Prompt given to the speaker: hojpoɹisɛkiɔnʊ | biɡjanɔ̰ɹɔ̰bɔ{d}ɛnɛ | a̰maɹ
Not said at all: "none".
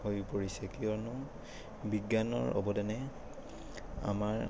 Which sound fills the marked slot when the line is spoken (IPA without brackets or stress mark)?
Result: d